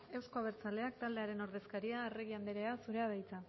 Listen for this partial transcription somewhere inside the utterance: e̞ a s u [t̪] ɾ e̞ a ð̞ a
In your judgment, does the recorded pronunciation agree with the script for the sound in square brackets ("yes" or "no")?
no